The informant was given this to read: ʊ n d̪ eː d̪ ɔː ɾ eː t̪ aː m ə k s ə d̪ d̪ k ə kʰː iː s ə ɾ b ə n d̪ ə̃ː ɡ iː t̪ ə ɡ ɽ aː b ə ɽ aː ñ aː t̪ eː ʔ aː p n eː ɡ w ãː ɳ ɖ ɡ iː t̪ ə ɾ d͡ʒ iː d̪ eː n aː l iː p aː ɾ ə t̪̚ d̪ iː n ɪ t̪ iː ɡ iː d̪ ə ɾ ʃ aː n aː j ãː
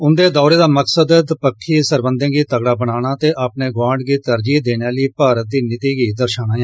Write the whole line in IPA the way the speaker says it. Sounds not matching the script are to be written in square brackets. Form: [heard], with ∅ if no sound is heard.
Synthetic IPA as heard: ʊ n d̪ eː d̪ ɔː ɾ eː [d̪] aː m ə k s ə d̪ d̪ [p] ə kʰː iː s ə ɾ b ə n d̪ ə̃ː ɡ iː t̪ ə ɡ ɽ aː b ə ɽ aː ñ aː t̪ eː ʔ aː p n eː ɡ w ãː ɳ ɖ ɡ iː t̪ ə ɾ d͡ʒ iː d̪ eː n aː l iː p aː ɾ ə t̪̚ d̪ iː n ɪ t̪ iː ɡ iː d̪ ə ɾ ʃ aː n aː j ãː